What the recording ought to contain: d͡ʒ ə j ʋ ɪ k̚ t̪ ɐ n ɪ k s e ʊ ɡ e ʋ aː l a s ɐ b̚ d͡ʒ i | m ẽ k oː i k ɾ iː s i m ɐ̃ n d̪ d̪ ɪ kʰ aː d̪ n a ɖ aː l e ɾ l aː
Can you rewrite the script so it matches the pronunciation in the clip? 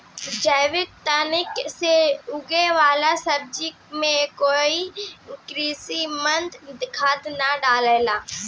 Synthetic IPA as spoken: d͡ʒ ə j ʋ ɪ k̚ t̪ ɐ n ɪ k s e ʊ ɡ e ʋ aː l a s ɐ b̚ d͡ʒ i | m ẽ k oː i k ɾ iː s i m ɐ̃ n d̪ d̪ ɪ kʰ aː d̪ n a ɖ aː l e l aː